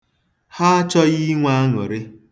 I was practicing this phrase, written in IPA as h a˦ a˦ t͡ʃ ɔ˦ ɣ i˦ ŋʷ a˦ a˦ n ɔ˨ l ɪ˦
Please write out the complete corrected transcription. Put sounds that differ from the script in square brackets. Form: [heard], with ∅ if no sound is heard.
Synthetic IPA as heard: h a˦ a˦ t͡ʃ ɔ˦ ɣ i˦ ŋʷ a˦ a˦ [ŋ] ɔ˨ [ɾ] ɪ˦